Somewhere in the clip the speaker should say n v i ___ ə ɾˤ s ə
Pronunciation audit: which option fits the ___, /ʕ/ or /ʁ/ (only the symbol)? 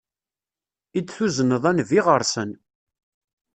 ʁ